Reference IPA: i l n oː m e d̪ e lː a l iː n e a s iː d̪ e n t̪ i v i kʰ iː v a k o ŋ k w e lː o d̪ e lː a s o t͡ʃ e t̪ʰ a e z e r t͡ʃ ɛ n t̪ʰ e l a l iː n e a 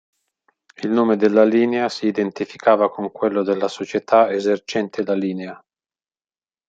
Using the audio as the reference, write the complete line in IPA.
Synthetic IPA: i l n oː m e d̪ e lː a l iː n e a s iː d̪ e n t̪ i f i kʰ aː v a k o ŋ k w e lː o d̪ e lː a s o t͡ʃ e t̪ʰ a e z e r t͡ʃ ɛ n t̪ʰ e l a l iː n e a